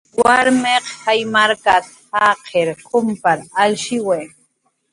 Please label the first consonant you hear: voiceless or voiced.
voiced